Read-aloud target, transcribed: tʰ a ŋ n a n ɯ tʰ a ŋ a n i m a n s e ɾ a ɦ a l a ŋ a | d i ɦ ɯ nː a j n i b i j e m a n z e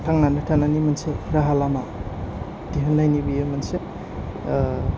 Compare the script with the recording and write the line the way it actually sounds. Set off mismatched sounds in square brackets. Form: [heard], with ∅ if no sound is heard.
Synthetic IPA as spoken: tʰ a ŋ n a n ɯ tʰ a [n] a n i m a n s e ɾ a ɦ a l a [m] a | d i ɦ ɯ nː a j n i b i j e m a n [s] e